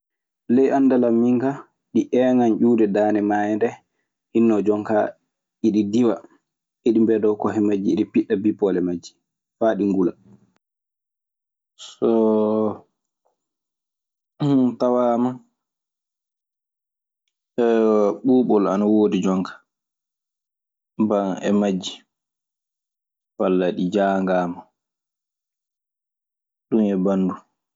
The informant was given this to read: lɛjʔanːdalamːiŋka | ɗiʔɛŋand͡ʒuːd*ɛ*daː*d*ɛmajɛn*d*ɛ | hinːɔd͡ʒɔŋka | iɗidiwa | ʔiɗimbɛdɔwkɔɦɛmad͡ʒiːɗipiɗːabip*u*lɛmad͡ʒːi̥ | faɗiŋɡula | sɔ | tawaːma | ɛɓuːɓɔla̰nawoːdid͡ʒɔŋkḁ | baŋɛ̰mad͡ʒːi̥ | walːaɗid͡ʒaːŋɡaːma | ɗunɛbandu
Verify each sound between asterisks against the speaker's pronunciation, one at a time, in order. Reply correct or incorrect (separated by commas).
correct, incorrect, correct, incorrect